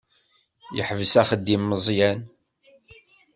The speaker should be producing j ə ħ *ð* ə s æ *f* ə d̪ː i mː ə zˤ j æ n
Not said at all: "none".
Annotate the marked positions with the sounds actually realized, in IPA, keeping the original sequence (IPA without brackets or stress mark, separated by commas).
v, χ